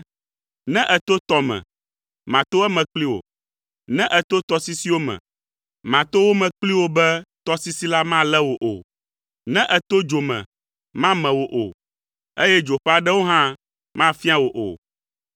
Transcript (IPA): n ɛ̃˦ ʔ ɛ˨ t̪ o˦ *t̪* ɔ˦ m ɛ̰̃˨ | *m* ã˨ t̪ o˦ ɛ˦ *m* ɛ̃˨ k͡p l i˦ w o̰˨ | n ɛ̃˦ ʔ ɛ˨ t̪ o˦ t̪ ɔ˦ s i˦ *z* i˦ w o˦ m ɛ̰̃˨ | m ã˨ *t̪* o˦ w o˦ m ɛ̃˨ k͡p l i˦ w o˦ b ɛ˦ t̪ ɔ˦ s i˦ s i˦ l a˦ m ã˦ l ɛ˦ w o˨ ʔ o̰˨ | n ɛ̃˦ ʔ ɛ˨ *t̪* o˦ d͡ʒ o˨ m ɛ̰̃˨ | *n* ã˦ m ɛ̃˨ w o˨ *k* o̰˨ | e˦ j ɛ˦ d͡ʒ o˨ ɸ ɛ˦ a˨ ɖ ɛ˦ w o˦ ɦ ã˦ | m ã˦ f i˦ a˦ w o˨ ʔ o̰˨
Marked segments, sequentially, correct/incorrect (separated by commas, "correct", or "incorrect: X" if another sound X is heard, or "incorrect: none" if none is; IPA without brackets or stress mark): correct, correct, correct, incorrect: s, correct, correct, incorrect: m, incorrect: ʔ